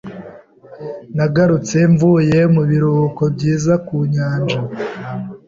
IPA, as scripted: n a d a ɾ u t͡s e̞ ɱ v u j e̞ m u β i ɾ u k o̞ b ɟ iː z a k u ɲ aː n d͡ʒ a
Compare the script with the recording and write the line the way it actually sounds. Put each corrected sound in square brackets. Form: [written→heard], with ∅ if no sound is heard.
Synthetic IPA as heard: n a [d→ɡ] a ɾ u t͡s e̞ ɱ v u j e̞ m u β i ɾ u k o̞ b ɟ iː z a k u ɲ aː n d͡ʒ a